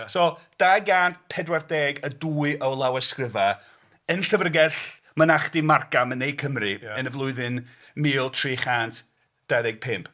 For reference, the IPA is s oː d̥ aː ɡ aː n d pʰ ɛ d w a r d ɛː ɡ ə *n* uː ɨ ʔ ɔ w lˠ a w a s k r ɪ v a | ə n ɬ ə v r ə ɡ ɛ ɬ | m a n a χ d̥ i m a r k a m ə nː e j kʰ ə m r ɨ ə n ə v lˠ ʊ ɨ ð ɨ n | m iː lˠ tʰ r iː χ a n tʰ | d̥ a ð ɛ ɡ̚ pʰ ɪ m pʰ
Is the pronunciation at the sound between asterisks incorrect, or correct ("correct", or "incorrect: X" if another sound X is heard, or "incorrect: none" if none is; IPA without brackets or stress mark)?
incorrect: d